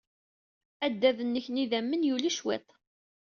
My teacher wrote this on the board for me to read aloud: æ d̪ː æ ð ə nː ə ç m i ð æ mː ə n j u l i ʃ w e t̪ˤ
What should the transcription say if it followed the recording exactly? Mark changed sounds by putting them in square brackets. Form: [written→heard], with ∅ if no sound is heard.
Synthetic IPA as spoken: æ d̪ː æ ð ə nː ə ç [m→n] i ð æ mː ə n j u l i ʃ w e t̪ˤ

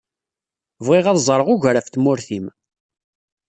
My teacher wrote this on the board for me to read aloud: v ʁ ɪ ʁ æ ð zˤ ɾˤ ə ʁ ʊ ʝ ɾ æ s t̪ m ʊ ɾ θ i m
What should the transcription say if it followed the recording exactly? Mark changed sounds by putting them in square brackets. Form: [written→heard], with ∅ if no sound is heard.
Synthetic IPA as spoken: v ʁ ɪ ʁ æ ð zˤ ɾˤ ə ʁ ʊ ʝ ɾ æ [s→f] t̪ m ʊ ɾ θ i m

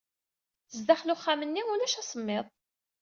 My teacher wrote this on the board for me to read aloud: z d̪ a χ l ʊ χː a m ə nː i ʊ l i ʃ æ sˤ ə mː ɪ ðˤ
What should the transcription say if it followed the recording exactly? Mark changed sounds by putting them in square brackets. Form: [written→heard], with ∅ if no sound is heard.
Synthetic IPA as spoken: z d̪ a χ l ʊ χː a m ə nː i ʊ l [i→æ] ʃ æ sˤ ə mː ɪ ðˤ

